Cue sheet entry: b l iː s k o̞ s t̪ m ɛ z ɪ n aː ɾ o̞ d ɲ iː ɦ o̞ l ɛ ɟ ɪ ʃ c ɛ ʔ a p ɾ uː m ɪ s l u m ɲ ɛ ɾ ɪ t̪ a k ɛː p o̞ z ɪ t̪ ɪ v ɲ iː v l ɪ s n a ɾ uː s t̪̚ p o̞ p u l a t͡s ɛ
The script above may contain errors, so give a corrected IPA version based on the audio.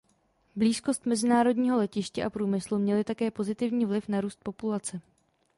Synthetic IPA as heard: b l iː s k o̞ s t̪ m ɛ z ɪ n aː ɾ o̞ d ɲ iː ɦ o̞ l ɛ c ɪ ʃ c ɛ ʔ a p ɾ uː m ɪ s l u m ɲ ɛ l ɪ t̪ a k ɛː p o̞ z ɪ t̪ ɪ v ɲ iː v l ɪ f n a ɾ uː s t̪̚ p o̞ p u l a t͡s ɛ

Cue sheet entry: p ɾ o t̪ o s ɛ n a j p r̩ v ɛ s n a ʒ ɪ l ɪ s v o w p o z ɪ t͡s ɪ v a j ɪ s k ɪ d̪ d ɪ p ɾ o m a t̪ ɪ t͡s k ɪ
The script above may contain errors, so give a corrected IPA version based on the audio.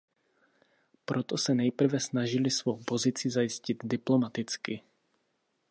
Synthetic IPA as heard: p ɾ o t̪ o s ɛ n ɛ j p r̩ v ɛ s n a ʒ ɪ l ɪ s v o w p o z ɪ t͡s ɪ z a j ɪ s c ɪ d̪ d ɪ p l o m a t̪ ɪ t͡s k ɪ

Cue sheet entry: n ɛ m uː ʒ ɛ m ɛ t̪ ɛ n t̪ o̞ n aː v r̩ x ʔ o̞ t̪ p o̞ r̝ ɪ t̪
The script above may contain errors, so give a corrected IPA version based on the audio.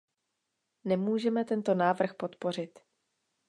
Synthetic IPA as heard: n ɛ m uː ʒ ɛ m ɛ t̪ ɛ n t̪ o̞ n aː v r̩ x p o̞ t̪ p o̞ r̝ ɪ t̪

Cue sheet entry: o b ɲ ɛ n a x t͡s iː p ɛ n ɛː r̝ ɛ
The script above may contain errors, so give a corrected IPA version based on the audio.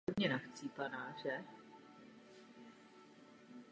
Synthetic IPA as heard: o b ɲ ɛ n a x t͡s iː p a n aː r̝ ɛ

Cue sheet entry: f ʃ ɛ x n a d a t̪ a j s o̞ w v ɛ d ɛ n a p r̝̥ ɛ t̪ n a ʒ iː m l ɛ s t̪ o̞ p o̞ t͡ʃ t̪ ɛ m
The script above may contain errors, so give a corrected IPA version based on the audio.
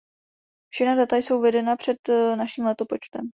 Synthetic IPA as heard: f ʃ ɛ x n a d a t̪ a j s o̞ w v ɛ d ɛ n a p r̝̥ ɛ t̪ n a ʃ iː m l ɛ t̪ o̞ p o̞ t͡ʃ t̪ ɛ m

